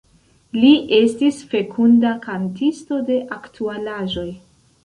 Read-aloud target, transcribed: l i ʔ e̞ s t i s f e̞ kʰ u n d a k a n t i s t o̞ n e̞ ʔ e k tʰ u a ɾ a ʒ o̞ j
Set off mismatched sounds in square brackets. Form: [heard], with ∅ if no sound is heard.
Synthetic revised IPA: l i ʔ e̞ s t i s f e̞ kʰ u n d a k a n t i s t o̞ [d] e̞ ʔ [a] k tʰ u a [l] a ʒ o̞ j